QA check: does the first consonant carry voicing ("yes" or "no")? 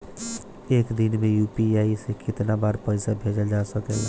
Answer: no